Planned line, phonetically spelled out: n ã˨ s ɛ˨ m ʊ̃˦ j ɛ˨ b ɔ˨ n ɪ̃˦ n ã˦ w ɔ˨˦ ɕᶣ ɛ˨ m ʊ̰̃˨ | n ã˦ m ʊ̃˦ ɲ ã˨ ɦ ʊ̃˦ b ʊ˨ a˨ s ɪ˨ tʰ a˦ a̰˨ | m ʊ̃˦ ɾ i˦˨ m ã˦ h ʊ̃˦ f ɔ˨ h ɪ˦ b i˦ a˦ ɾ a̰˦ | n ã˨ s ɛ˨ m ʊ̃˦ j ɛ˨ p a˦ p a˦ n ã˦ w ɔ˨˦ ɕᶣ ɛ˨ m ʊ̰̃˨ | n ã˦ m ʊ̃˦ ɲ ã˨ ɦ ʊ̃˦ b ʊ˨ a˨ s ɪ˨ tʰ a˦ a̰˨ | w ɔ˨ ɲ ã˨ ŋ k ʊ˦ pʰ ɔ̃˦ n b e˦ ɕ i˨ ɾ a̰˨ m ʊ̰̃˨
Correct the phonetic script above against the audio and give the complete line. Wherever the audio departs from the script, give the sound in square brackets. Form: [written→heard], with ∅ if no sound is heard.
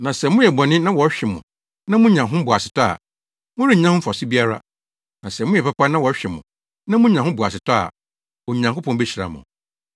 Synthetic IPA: n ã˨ s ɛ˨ m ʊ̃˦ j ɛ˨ b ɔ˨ n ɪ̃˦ n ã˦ w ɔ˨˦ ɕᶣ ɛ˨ m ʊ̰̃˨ | n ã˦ m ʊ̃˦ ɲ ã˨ ɦ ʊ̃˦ b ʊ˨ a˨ s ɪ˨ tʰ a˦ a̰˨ | m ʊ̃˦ ɾ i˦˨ [m→ɲ] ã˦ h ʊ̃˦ f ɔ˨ [h→s] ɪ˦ b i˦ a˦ ɾ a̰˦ | n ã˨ s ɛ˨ m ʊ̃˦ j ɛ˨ p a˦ p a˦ n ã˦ w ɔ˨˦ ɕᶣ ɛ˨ m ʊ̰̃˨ | n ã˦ m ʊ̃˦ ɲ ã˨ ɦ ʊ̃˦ b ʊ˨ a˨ s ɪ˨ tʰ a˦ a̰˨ | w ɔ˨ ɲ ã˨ ŋ k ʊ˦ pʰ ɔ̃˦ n b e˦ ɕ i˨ ɾ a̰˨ m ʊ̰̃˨